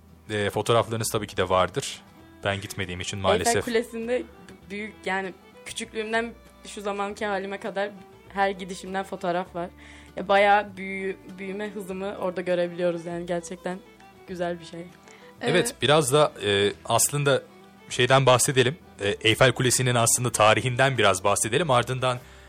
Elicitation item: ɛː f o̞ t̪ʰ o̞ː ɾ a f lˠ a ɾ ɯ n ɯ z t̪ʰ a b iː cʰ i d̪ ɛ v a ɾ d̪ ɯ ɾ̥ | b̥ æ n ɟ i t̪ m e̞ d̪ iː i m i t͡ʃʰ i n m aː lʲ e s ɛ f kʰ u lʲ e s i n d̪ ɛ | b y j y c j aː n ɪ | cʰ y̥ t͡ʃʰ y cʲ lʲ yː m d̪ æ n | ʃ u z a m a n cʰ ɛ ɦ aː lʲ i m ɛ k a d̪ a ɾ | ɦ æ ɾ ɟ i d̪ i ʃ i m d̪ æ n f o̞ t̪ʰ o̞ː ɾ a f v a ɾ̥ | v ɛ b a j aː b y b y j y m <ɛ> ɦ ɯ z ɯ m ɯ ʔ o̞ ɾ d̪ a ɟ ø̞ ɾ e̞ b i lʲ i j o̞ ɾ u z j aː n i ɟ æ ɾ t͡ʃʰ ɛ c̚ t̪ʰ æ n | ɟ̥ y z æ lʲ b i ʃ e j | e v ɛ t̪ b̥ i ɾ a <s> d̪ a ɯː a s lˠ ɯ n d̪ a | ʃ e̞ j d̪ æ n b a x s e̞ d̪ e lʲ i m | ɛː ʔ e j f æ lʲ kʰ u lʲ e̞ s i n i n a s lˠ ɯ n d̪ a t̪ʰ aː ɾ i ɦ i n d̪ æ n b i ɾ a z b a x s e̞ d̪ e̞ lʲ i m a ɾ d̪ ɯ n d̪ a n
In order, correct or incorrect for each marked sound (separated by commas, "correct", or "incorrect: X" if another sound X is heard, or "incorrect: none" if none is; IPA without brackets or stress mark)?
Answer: correct, incorrect: z